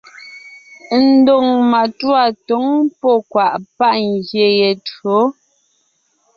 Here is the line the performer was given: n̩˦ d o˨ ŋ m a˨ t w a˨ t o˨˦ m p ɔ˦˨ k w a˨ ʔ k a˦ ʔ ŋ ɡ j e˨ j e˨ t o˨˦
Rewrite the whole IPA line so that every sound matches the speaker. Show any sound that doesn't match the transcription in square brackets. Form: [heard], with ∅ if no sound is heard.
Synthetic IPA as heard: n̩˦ d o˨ ŋ m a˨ t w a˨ t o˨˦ [ŋ] p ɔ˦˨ k w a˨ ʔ [p] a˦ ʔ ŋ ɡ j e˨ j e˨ t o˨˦